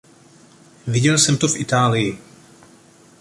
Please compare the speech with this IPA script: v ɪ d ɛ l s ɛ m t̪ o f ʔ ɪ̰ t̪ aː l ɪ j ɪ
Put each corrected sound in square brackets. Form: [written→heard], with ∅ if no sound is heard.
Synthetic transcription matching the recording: v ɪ [d→ɟ] ɛ l s ɛ m t̪ o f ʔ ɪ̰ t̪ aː l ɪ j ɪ